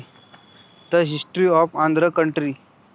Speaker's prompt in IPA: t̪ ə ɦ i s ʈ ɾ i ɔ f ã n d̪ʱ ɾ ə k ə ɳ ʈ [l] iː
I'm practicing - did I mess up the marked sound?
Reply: yes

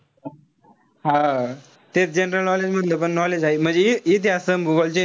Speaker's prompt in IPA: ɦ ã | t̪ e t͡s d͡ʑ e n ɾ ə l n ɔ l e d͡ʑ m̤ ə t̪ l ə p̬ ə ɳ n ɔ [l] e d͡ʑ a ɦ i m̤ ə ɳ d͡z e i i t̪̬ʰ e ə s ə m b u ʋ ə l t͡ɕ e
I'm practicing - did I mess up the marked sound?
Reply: no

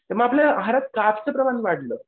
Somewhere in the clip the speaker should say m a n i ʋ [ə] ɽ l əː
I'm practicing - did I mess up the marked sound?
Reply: yes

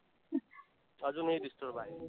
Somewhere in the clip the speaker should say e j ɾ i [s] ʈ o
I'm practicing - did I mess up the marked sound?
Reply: no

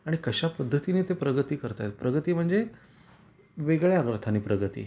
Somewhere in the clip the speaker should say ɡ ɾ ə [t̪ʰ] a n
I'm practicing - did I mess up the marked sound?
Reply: no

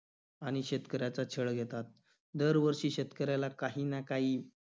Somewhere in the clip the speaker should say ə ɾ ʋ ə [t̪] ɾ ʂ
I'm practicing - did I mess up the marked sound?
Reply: yes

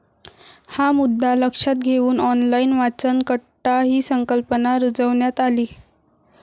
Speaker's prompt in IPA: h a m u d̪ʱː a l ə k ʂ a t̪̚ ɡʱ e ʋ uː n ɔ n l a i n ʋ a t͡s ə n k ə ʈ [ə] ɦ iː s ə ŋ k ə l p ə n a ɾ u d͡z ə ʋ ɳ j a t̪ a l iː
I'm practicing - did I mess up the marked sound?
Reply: yes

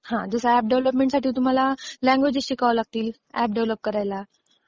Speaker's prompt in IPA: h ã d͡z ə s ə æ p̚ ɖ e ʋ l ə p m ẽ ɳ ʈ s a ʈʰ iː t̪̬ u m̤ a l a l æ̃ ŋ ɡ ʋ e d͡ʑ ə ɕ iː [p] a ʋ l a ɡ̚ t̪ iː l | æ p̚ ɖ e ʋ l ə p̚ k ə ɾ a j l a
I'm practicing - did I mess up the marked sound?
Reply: yes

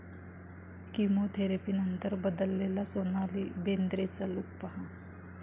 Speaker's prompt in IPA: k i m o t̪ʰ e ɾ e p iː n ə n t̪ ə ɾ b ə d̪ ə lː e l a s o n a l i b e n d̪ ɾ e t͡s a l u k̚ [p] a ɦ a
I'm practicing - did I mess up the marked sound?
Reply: no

